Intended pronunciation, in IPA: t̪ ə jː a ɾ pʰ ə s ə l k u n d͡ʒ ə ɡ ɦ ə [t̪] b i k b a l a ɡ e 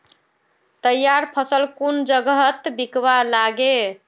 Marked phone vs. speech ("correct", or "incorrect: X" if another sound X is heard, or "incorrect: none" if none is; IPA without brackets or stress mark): correct